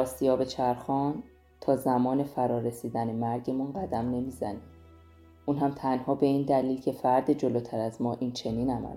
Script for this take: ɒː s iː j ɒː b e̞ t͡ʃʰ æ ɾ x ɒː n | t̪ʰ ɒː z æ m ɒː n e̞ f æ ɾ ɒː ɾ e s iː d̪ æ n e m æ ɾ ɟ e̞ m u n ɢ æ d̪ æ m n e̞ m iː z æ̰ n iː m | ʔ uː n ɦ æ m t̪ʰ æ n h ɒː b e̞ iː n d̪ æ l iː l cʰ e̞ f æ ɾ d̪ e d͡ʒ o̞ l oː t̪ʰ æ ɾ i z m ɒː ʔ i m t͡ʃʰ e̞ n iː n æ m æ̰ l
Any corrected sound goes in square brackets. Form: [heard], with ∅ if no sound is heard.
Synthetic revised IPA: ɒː s [i] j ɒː b e̞ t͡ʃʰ æ ɾ x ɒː n | t̪ʰ ɒː z æ m ɒː n e̞ f æ ɾ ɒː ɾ e s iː d̪ æ n e m æ ɾ ɟ e̞ m u n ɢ æ d̪ æ m n e̞ m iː z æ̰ n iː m | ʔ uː n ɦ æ m t̪ʰ æ n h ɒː b e̞ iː n d̪ æ l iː l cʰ e̞ f æ ɾ d̪ e d͡ʒ o̞ l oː t̪ʰ æ ɾ [æ] z m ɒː ʔ i [n] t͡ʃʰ e̞ n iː n æ m æ̰ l